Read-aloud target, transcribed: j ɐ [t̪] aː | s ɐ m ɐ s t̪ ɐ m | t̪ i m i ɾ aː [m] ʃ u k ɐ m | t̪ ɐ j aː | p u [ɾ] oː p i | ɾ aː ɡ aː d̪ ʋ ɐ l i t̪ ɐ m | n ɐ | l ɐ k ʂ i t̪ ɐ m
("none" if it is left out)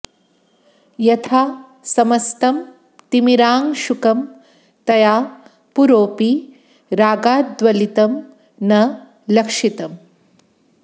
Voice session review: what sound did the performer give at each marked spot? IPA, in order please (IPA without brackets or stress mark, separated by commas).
t̪ʰ, ŋ, ɾ